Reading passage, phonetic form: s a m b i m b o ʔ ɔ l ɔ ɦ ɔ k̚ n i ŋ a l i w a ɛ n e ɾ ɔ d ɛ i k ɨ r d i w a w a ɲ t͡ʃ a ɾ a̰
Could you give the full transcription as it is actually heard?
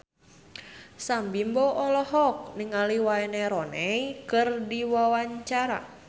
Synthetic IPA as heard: s a m b i m b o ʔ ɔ l ɔ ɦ ɔ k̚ n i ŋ a l i w a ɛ n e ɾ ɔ n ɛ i k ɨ r d i w a w a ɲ t͡ʃ a ɾ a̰